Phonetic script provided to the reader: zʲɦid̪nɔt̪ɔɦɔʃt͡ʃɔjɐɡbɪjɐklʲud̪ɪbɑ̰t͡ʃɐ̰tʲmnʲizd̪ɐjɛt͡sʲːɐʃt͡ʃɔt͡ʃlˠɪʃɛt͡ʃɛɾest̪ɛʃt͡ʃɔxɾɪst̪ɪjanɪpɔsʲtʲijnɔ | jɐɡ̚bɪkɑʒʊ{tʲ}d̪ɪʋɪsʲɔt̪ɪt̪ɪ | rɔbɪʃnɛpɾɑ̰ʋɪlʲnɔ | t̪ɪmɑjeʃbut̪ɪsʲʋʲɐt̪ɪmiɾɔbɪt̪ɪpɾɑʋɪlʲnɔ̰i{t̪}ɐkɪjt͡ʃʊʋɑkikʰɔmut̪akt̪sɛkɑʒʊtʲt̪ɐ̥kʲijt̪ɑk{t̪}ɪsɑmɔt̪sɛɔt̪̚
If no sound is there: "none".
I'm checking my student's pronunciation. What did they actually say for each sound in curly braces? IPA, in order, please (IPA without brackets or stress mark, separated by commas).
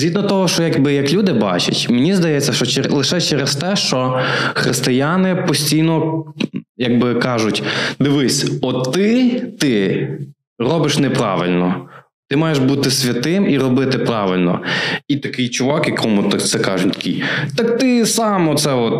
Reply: tʲ, t̪, t̪